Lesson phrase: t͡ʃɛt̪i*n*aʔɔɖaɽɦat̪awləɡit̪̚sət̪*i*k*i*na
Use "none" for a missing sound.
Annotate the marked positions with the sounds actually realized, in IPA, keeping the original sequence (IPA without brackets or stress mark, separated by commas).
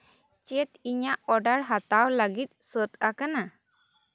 ɲ, a, a